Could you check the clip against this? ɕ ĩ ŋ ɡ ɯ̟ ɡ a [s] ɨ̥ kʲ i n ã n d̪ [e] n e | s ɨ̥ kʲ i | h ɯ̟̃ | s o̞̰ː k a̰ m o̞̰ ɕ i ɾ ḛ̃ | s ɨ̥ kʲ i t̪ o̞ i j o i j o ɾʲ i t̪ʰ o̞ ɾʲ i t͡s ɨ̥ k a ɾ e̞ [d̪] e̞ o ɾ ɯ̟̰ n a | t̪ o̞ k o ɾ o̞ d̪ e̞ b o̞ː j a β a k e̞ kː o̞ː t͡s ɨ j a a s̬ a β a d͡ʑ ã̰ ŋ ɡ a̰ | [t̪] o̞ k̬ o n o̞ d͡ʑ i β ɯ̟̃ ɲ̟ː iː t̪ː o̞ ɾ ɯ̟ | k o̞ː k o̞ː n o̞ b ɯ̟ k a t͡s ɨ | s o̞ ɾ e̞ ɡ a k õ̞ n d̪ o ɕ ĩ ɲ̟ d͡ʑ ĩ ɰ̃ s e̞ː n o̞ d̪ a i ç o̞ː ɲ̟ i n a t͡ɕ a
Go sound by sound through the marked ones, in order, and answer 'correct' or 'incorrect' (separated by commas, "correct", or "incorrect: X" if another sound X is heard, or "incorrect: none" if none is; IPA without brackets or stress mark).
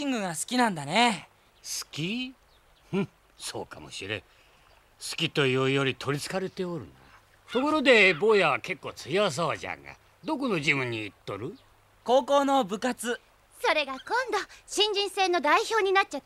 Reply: correct, incorrect: a, incorrect: t̪, incorrect: d̪